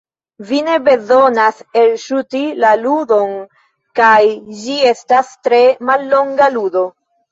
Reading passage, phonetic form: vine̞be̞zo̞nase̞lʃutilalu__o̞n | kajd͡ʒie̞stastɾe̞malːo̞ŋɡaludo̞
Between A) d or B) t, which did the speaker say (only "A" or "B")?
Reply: A